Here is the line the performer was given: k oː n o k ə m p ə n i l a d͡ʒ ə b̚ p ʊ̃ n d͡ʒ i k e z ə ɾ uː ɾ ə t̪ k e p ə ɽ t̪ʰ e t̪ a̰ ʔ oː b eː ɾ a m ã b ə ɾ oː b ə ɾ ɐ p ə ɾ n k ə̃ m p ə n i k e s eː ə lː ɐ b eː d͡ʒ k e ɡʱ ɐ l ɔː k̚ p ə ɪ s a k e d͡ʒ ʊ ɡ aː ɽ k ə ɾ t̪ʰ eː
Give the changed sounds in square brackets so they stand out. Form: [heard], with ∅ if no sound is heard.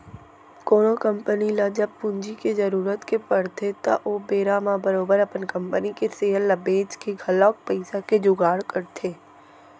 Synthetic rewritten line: k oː n o k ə m p ə n i l a d͡ʒ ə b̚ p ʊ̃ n d͡ʒ i k e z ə ɾ uː ɾ ə t̪ k e p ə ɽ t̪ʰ e t̪ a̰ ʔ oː b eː ɾ a m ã b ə ɾ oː b ə ɾ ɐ p ə [∅] n k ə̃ m p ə n i k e s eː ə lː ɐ b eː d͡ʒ k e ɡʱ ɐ l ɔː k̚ p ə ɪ s a k e d͡ʒ ʊ ɡ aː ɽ k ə ɾ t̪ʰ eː